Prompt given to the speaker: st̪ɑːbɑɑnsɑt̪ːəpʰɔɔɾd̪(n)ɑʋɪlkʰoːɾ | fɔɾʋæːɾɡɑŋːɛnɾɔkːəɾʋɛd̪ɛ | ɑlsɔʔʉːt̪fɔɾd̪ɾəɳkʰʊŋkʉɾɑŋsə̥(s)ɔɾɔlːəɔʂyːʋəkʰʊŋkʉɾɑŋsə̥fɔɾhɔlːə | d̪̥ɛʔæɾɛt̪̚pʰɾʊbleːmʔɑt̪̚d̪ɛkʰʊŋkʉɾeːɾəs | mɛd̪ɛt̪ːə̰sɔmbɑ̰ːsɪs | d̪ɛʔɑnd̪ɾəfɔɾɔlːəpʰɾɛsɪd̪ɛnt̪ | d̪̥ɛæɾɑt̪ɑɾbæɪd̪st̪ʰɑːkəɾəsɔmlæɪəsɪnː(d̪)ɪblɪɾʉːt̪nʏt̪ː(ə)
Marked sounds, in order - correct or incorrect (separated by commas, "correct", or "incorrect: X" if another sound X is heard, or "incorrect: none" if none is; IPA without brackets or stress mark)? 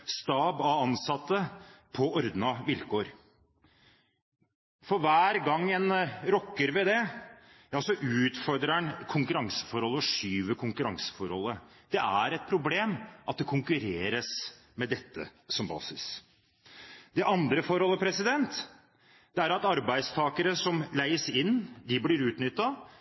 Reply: correct, incorrect: f, correct, incorrect: ɑ